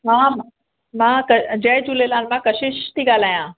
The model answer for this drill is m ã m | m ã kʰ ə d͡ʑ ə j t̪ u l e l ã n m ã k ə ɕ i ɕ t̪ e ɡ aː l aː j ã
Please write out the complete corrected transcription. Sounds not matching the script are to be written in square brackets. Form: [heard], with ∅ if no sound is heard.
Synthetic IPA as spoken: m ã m | m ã [k] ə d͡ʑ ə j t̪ u l e l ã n m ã k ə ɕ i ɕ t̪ [i] ɡ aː l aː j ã